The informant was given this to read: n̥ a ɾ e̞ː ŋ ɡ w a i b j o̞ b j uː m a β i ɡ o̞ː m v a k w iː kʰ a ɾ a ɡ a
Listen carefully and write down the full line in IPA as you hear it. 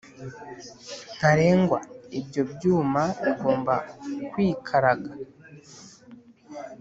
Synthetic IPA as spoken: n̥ a ɾ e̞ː ŋ ɡ w a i b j o̞ b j uː m a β i ɡ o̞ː m b a k w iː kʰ a ɾ a ɡ a